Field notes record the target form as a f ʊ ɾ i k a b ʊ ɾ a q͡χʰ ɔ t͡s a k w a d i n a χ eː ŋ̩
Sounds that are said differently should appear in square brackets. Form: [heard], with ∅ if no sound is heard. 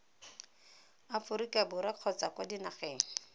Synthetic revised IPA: a f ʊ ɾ i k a b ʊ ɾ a q͡χʰ ɔ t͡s a k w a d i n a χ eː ŋ̩